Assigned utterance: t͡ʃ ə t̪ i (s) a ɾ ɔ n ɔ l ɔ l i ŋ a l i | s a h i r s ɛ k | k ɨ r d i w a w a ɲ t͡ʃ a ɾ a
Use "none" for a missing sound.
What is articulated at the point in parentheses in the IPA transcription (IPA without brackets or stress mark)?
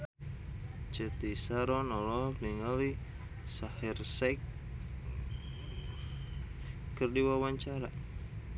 s